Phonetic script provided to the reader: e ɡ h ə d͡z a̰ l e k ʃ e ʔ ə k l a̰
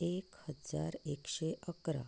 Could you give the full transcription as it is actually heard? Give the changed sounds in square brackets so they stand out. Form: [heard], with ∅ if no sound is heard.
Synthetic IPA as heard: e [k] h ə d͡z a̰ [ɾ] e k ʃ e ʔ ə k [ɾ] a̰